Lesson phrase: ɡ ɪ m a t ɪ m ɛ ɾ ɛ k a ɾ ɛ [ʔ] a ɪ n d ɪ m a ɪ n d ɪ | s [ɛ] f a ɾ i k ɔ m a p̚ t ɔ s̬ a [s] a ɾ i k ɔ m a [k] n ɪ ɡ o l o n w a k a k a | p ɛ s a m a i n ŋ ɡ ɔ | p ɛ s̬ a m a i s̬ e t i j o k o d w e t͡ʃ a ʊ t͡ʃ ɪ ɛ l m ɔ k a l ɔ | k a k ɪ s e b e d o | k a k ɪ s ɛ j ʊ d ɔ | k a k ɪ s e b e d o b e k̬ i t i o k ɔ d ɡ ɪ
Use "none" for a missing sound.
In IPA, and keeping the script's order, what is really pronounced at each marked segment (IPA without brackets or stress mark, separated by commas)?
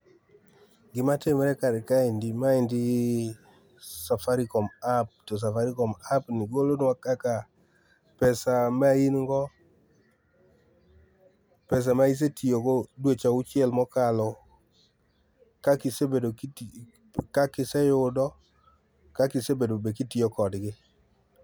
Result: k, a, f, p